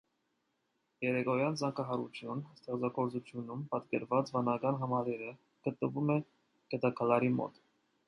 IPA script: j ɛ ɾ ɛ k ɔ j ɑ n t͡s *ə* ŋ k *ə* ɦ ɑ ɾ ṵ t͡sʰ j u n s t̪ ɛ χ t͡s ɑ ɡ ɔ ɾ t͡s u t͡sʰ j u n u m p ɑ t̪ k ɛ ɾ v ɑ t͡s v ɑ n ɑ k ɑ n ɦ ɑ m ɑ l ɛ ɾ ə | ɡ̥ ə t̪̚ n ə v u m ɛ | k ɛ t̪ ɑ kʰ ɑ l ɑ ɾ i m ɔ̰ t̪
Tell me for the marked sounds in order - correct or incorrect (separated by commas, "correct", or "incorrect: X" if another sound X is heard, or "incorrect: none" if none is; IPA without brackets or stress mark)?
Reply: incorrect: ɑ, incorrect: ɑ